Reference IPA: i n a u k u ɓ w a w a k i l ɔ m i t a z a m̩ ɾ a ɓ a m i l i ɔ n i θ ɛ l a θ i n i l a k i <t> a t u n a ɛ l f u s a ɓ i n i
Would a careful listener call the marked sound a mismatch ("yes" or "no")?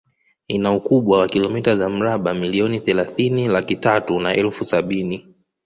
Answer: no